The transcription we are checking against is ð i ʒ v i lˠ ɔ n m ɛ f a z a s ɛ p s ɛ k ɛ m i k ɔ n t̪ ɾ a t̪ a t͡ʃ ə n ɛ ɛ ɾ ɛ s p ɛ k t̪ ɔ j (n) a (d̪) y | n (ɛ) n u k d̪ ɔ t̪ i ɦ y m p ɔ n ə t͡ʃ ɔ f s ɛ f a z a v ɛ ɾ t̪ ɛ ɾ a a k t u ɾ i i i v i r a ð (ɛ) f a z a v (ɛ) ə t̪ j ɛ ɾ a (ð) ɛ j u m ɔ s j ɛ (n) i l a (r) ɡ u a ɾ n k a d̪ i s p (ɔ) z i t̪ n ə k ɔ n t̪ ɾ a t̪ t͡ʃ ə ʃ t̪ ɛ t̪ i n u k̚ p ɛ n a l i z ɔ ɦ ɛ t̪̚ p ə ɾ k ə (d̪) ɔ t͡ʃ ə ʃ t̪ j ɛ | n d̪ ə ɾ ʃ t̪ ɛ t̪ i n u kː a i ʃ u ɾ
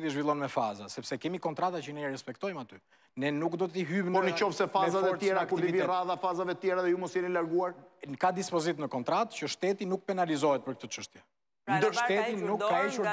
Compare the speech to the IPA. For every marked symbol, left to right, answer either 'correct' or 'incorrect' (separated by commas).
incorrect, incorrect, correct, incorrect, correct, correct, correct, incorrect, correct, incorrect